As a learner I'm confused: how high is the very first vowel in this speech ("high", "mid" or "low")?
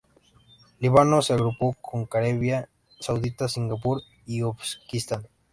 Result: high